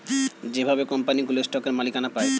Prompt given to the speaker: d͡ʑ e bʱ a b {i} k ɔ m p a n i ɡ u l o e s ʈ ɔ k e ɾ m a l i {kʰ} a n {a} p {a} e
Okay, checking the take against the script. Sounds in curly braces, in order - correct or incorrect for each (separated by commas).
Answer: incorrect, incorrect, correct, correct